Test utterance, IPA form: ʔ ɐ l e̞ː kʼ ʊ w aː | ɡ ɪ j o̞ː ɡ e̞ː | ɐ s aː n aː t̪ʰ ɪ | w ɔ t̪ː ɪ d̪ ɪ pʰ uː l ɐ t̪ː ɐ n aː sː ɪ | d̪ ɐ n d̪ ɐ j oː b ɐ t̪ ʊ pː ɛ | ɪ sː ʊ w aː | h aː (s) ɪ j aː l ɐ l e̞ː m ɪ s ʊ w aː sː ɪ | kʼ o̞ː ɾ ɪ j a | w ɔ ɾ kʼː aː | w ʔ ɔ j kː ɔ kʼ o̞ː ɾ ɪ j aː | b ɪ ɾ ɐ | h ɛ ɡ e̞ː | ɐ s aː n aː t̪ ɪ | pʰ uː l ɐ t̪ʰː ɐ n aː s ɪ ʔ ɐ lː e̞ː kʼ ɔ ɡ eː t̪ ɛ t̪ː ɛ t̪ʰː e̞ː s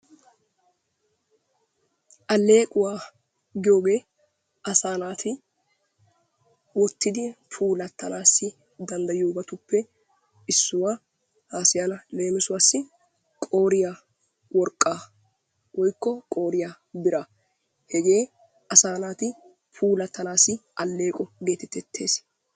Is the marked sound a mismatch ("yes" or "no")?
no